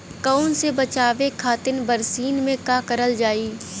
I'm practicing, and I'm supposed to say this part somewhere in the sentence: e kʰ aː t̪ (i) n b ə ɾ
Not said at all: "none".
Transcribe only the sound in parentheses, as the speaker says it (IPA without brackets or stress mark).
ɪ